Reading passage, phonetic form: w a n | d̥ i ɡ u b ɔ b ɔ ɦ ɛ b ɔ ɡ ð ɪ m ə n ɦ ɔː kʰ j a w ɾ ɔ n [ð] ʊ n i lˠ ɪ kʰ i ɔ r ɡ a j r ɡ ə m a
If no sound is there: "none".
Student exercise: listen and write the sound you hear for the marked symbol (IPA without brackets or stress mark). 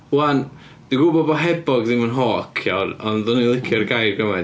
ð